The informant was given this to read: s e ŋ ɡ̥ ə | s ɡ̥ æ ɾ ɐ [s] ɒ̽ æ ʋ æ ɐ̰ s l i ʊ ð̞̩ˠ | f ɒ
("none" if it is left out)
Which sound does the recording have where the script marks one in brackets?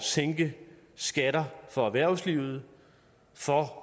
f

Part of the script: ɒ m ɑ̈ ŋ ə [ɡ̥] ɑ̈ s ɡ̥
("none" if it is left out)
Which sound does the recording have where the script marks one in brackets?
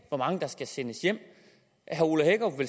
d̥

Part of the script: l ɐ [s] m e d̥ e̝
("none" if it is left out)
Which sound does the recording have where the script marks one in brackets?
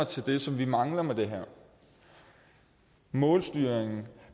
none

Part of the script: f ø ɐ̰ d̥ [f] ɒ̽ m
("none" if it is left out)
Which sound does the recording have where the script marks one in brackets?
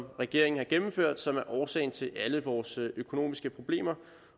s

